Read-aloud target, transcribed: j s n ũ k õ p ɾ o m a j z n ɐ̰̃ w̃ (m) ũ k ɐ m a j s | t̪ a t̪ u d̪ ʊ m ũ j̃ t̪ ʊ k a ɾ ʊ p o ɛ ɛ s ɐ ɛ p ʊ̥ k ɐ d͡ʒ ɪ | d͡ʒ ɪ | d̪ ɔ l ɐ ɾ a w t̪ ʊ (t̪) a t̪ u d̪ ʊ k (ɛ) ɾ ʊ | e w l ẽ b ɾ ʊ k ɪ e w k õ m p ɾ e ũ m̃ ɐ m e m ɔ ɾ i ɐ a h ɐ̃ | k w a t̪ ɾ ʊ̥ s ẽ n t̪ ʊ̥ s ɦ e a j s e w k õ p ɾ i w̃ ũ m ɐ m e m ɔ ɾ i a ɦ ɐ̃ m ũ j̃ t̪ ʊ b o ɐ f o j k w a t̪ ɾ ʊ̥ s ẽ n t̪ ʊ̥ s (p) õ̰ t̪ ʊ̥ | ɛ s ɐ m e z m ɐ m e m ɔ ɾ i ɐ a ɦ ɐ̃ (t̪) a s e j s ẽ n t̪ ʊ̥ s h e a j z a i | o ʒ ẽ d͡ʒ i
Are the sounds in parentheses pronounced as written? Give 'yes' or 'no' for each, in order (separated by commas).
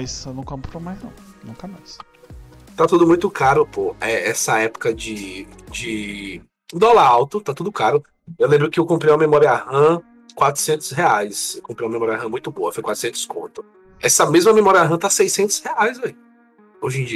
no, yes, no, no, yes